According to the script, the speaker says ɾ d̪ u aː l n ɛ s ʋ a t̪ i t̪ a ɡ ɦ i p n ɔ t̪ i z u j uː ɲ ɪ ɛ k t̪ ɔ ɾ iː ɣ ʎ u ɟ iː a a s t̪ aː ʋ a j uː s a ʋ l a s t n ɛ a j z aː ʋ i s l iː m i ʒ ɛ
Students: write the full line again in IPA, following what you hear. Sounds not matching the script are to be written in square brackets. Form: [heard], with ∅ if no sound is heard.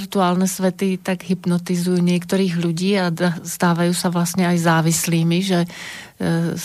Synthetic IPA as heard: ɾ [t̪] u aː l n ɛ s ʋ [ɛ] t̪ i t̪ a ɡ ɦ i p n ɔ t̪ i z u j uː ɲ ɪ ɛ k t̪ ɔ ɾ iː ɣ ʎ u ɟ iː a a s t̪ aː ʋ a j uː s a ʋ l a s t [ɲ] ɛ a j z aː ʋ i s l iː m i ʒ ɛ